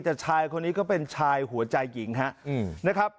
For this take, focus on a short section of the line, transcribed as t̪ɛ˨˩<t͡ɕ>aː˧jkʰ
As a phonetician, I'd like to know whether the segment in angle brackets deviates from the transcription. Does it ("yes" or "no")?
yes